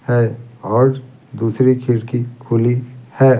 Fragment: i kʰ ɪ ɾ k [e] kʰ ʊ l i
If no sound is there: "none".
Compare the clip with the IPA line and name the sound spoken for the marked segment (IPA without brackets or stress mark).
i